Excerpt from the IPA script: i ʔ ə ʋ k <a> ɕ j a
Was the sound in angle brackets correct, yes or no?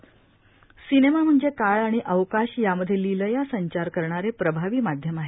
yes